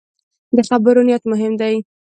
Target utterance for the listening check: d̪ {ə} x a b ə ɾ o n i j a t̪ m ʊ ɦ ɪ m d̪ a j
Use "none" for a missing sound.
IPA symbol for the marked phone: ə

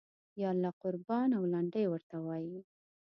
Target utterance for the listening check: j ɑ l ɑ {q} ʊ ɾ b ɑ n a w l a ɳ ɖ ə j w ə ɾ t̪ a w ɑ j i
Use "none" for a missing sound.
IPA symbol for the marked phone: q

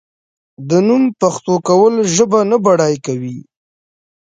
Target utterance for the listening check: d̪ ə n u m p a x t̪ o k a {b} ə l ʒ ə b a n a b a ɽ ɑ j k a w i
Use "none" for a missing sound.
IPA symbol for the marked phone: w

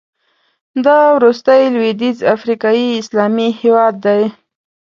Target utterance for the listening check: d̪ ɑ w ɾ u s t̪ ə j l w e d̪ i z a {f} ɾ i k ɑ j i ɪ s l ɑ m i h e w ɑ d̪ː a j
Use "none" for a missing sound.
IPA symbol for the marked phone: f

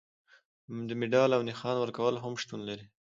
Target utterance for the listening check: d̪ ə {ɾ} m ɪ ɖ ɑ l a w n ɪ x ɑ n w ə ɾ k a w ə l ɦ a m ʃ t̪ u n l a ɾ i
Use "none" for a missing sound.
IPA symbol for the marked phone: none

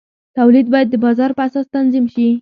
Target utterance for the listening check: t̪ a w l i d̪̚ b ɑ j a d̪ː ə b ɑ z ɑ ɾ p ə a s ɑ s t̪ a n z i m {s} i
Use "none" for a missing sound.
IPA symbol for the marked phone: ʃ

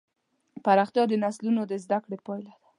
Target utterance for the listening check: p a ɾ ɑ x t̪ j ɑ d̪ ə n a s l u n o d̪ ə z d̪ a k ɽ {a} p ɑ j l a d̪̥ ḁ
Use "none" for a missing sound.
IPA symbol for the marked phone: e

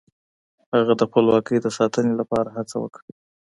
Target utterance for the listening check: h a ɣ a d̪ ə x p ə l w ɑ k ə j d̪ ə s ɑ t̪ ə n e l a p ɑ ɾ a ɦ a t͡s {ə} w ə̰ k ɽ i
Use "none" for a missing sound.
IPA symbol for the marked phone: a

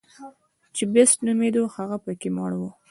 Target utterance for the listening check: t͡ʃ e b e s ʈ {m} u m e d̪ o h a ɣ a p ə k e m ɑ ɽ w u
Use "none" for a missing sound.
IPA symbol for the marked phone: n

